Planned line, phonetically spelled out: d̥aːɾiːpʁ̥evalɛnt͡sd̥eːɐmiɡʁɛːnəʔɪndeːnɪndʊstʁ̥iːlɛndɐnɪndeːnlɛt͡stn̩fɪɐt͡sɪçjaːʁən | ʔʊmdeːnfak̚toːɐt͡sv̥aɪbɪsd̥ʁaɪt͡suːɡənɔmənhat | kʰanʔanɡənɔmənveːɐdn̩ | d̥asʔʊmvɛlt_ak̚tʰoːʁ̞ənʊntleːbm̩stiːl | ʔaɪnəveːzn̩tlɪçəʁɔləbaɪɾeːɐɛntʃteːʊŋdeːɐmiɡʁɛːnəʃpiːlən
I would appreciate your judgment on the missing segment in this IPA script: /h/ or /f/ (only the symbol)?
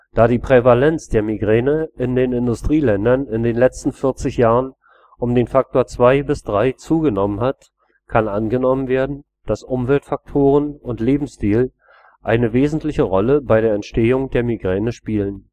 f